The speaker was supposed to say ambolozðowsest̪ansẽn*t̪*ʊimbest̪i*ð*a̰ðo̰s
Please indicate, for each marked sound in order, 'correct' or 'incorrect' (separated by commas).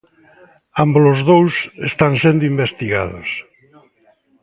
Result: incorrect, incorrect